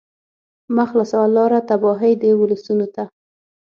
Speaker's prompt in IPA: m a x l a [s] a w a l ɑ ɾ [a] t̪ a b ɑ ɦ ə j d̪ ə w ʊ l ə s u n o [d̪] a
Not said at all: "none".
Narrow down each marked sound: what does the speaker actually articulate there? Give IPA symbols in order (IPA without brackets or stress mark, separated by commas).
s, a, t̪